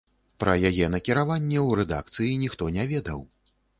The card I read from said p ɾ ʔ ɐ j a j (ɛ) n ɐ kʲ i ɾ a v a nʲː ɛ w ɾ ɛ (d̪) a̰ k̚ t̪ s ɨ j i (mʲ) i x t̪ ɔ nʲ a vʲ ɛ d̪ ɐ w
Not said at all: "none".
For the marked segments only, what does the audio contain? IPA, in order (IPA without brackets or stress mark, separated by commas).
ɛ, d̪, nʲ